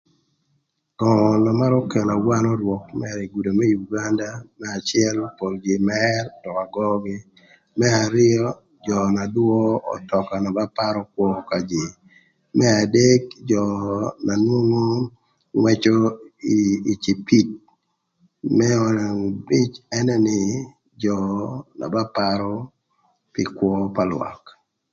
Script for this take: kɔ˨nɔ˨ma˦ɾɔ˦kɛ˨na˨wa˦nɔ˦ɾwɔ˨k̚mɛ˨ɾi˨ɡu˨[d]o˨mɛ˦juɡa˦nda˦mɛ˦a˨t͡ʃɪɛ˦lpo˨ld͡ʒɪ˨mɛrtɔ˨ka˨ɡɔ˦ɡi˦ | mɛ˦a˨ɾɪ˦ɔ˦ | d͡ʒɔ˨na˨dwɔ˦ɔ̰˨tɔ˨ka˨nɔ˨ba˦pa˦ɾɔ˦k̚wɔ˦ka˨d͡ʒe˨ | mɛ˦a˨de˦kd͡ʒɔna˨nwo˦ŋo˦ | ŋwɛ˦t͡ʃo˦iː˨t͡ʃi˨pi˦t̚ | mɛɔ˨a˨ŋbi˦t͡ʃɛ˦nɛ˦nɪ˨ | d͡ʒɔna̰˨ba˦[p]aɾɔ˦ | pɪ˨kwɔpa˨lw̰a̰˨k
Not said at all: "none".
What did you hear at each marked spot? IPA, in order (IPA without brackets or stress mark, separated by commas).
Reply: d, p